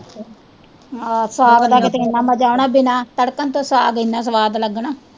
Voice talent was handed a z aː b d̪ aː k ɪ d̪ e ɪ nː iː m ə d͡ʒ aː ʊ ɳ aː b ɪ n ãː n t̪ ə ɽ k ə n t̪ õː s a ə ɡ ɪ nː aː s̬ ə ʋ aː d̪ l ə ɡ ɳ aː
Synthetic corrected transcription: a s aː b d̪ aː k ɪ t̪ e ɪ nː aː m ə d͡ʒ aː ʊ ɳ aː b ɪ n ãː t̪ ə ɽ k ə n t̪ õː s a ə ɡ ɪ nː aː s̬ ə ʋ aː d̪ l ə ɡ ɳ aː